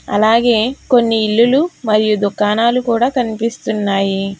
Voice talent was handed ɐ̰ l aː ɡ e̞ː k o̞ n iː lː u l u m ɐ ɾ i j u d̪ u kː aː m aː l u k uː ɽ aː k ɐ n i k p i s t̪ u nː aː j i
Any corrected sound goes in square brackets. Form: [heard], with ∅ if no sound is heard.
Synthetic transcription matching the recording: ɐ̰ l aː ɡ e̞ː k o̞ [nː] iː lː u l u m ɐ ɾ i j u d̪ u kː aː [n] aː l u k uː ɽ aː k ɐ n i [∅] p i s t̪ u nː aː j i

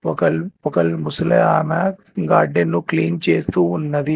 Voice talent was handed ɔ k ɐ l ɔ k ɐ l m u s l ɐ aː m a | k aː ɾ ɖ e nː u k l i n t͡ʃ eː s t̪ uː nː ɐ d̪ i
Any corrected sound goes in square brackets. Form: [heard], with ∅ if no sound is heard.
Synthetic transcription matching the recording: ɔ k ɐ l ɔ k ɐ l m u s l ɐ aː m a | [ɡ] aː ɾ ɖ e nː u k l [iː] n t͡ʃ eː s t̪ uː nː ɐ d̪ i

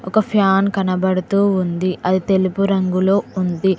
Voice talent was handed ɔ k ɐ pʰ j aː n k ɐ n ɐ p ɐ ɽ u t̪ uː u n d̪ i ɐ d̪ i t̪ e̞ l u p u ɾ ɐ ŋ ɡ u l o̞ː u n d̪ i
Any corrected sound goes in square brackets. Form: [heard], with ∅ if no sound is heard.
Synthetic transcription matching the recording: ɔ k ɐ pʰ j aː n k ɐ n ɐ [b] ɐ ɽ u t̪ uː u n d̪ i ɐ d̪ i t̪ e̞ l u p u ɾ ɐ ŋ ɡ u l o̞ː u n d̪ i

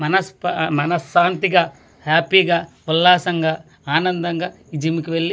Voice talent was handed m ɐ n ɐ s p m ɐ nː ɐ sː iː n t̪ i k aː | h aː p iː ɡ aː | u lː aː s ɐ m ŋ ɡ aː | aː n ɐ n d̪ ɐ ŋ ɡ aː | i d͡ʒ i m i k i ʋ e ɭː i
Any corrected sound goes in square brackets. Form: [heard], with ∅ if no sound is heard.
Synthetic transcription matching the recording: m ɐ n ɐ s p m ɐ [n] ɐ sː [aː] n t̪ i [ɡ] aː | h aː p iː ɡ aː | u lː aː s ɐ [∅] ŋ ɡ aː | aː n ɐ n d̪ ɐ ŋ ɡ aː | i d͡ʒ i m i k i ʋ e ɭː i

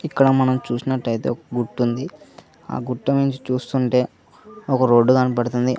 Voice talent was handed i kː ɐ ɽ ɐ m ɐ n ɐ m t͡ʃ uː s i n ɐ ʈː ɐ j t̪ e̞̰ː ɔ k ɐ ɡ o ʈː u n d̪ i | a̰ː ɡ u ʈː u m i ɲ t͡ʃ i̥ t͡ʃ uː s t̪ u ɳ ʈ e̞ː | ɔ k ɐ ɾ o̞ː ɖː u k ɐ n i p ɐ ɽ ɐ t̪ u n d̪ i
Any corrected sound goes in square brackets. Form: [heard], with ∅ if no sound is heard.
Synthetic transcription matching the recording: i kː ɐ ɽ ɐ m ɐ n ɐ m t͡ʃ uː s i n ɐ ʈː ɐ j t̪ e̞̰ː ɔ k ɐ ɡ [u] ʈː u n d̪ i | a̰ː ɡ u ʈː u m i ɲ t͡ʃ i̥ t͡ʃ uː s t̪ u ɳ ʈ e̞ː | ɔ k ɐ ɾ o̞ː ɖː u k ɐ n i p ɐ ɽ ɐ t̪ u n d̪ i

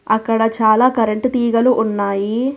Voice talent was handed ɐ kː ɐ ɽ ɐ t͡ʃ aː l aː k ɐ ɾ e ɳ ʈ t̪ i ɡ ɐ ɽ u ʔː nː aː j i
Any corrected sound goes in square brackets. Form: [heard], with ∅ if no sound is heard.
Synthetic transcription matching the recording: ɐ kː ɐ ɽ ɐ t͡ʃ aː l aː k ɐ ɾ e ɳ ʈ t̪ [iː] ɡ ɐ [l] u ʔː nː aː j i

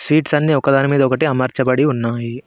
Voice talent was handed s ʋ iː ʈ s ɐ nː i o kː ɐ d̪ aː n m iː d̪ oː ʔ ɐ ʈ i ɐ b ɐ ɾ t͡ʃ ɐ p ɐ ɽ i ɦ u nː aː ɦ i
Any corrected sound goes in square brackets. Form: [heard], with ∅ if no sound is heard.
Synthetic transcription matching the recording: s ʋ iː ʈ s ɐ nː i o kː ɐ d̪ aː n m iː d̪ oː [k] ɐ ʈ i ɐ [m] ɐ ɾ t͡ʃ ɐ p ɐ ɽ i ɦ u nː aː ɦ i

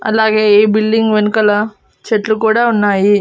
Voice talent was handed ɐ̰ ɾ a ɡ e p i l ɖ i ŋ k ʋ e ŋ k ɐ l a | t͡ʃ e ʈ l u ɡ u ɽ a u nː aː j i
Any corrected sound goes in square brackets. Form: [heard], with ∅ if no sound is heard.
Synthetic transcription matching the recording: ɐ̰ [l] a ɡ e [b] i l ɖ i ŋ [ɡ] ʋ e [n] k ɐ l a | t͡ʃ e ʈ l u [k] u ɽ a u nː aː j i

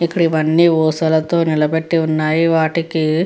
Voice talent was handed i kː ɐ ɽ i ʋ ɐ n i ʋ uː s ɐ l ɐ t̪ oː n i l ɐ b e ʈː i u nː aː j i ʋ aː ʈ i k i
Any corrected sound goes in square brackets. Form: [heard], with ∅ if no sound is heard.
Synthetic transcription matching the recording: i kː ɐ ɽ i ʋ ɐ [nː] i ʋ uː s ɐ l ɐ t̪ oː n i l ɐ b e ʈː i u nː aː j i ʋ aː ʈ i k i

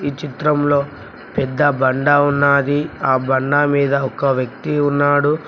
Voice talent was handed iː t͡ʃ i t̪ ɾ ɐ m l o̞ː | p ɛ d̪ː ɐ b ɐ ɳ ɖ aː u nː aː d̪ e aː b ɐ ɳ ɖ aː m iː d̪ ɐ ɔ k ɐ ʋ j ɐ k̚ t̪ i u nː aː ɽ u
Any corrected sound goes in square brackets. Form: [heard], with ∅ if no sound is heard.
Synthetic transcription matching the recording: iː t͡ʃ i t̪ ɾ ɐ m l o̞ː | p ɛ d̪ː ɐ b ɐ ɳ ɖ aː u nː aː d̪ [i] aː b ɐ ɳ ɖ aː m iː d̪ ɐ ɔ k ɐ ʋ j ɐ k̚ t̪ i u nː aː ɽ u

